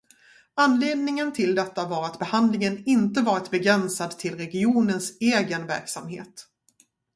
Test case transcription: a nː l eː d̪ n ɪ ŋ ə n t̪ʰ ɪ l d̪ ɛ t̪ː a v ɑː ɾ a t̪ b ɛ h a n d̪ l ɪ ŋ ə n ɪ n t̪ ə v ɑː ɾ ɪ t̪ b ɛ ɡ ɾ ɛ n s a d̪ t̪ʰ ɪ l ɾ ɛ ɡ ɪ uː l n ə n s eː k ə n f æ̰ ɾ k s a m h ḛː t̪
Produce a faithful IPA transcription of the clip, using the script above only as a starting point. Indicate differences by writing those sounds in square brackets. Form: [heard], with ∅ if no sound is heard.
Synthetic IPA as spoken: a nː l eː d̪ n ɪ ŋ ə n t̪ʰ ɪ l d̪ ɛ t̪ː a v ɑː ɾ a t̪ b ɛ h a n d̪ l ɪ ŋ ə n ɪ n t̪ ə v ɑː ɾ ɪ t̪ b ɛ ɡ ɾ ɛ n s a d̪ t̪ʰ ɪ l ɾ ɛ ɡ ɪ uː [∅] n ə n s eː [ɡ] ə n [v] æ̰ ɾ k s a m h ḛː t̪

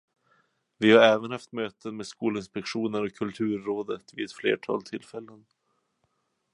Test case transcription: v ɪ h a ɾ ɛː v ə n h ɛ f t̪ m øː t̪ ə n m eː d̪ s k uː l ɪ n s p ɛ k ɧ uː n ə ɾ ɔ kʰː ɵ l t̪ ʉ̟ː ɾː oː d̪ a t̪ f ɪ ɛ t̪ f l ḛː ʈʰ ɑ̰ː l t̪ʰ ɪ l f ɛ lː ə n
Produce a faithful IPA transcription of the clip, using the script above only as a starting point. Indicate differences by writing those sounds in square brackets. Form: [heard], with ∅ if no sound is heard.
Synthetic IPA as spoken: v ɪ h a ɾ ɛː v ə n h [a] f t̪ m øː t̪ ə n m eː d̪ s k uː l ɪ n s p ɛ k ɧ uː n ə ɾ ɔ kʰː ɵ l [t̪ʰ] ʉ̟ː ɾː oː d̪ [ə] t̪ [v] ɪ ɛ t̪ f l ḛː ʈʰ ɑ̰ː l t̪ʰ ɪ l f ɛ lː ə n

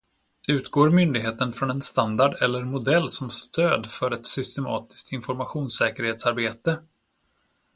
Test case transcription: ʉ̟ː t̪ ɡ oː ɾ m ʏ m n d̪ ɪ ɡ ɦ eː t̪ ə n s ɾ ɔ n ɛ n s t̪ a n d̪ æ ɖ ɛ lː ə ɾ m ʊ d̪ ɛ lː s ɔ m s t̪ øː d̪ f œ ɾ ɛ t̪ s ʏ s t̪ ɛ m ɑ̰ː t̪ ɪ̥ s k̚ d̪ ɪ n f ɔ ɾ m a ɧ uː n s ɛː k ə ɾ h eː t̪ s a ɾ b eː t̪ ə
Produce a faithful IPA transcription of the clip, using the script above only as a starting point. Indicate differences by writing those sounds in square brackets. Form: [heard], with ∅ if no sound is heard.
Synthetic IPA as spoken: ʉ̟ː t̪ ɡ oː ɾ m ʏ [∅] n d̪ ɪ ɡ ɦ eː t̪ ə n [f] ɾ ɔ n ɛ n s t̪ a n d̪ [a] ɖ ɛ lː ə ɾ m ʊ d̪ ɛ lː s ɔ m s t̪ øː d̪ f œ ɾ ɛ t̪ s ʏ s t̪ ɛ m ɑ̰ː t̪ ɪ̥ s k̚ [t̪] ɪ n f ɔ ɾ m a ɧ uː n s ɛː k ə ɾ h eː t̪ s a ɾ b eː t̪ ə

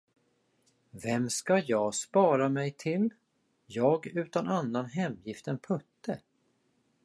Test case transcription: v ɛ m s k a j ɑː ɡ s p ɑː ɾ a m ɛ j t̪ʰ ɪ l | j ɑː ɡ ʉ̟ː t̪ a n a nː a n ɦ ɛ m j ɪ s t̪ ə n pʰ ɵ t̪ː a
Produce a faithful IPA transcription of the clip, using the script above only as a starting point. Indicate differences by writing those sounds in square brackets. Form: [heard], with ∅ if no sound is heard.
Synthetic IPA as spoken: v ɛ m s k a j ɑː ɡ s p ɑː ɾ a m ɛ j t̪ʰ ɪ l | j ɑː ɡ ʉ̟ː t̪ a n a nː a n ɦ ɛ m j ɪ [f] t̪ ə n pʰ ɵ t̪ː [ə]

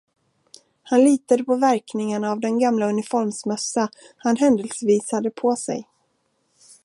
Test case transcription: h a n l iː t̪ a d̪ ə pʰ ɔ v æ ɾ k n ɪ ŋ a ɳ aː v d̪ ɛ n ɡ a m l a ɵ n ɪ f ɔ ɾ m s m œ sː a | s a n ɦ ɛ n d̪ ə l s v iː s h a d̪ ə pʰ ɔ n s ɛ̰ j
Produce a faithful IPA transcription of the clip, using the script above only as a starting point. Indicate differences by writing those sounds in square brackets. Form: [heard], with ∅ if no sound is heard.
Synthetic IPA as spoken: h a n l iː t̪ a d̪ ə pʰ ɔ v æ ɾ k n ɪ ŋ a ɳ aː v d̪ ɛ n ɡ a m l a ɵ n ɪ f ɔ ɾ m s m œ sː a | [h] a n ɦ ɛ n d̪ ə l s v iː s h a d̪ ə pʰ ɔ [∅] s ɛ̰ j

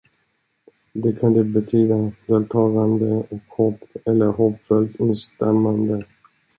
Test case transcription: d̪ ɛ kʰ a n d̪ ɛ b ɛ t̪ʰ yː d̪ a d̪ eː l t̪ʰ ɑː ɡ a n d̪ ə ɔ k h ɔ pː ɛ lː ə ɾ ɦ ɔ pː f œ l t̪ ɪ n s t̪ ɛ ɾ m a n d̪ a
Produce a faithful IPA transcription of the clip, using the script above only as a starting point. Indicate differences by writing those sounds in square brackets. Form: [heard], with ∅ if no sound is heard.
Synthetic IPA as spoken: d̪ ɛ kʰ a n d̪ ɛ b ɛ t̪ʰ yː d̪ a d̪ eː l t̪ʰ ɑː ɡ a n d̪ ə ɔ k h ɔ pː ɛ lː ə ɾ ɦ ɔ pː f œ l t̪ ɪ n s t̪ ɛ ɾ m a n d̪ [ə]

